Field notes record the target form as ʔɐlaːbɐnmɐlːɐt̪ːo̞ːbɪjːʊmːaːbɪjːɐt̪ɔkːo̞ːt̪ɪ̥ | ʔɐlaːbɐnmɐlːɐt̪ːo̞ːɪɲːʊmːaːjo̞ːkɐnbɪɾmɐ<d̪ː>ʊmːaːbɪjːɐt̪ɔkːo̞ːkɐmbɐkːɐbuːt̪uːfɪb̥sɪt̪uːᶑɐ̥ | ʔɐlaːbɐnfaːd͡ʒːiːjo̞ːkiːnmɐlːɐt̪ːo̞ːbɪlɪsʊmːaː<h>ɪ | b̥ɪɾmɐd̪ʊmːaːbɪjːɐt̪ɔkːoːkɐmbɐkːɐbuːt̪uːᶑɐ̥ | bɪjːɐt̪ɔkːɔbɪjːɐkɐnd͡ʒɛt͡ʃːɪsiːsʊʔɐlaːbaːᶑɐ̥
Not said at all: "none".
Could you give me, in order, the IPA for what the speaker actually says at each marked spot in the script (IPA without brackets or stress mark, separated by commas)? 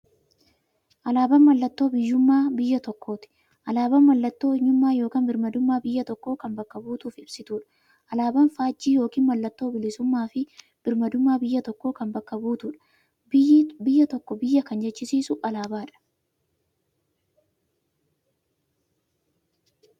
d̪, f